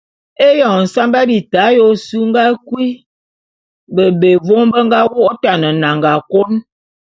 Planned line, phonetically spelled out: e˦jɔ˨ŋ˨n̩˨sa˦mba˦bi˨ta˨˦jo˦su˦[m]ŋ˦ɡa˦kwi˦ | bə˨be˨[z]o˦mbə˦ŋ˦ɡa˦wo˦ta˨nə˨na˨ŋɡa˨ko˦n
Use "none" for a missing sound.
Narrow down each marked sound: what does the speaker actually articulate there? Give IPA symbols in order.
none, v

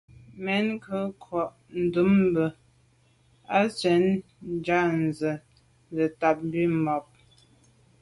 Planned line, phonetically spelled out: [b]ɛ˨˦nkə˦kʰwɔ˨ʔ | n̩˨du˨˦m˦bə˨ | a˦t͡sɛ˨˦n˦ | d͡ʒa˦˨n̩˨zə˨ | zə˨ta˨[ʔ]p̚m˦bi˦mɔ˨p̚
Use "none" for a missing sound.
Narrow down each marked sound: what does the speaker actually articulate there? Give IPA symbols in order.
m, none

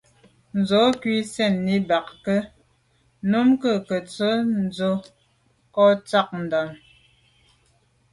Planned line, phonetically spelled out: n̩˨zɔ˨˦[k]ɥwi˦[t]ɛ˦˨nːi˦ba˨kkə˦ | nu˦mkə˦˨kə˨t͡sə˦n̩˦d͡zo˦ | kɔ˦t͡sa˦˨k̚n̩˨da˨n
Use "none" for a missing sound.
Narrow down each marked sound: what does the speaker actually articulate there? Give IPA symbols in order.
k, s

